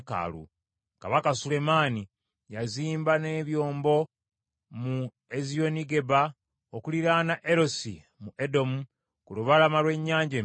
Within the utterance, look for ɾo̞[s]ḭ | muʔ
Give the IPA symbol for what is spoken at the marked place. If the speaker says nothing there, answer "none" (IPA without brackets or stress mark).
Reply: s